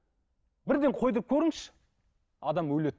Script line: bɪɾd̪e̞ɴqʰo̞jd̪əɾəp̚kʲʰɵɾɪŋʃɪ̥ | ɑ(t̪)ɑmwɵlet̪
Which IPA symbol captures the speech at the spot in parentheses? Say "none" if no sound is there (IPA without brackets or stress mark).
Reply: d̪